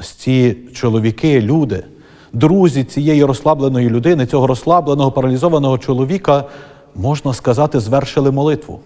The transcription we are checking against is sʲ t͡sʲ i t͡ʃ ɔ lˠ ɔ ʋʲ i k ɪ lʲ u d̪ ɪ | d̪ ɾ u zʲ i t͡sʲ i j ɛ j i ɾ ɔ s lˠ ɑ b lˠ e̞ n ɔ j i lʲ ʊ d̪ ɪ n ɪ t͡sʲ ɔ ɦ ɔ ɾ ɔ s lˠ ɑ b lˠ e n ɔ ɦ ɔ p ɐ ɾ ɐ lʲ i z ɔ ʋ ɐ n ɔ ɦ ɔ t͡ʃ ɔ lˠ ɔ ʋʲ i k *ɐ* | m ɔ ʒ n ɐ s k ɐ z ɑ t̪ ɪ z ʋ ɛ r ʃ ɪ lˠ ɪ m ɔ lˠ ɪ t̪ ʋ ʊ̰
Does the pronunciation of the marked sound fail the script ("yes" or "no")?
no